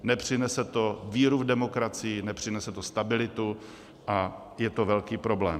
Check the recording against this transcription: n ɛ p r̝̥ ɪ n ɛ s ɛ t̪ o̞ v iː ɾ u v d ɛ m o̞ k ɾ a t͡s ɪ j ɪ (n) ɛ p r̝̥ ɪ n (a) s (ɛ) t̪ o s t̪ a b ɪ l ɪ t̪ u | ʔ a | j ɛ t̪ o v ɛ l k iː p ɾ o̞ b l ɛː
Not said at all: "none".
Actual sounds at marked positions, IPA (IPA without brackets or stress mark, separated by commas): n, ɛ, ɛ